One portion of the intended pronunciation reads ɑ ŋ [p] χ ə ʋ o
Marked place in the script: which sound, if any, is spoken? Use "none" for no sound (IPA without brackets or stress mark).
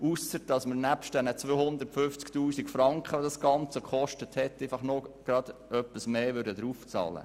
k